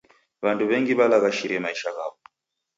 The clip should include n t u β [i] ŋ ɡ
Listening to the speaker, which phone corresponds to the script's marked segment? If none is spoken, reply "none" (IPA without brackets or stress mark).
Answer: ɛ